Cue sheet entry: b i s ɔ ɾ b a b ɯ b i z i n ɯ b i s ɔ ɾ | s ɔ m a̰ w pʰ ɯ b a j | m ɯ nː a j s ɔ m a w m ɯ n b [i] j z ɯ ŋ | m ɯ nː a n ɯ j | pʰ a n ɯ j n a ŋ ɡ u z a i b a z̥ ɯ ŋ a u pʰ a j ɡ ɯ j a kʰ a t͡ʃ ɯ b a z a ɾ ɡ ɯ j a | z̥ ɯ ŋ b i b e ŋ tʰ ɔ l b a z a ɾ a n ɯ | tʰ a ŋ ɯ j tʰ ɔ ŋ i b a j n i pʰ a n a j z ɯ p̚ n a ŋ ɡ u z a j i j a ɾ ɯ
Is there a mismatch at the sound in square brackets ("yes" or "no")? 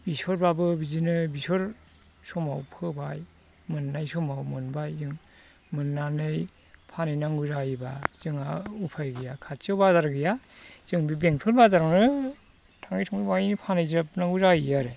yes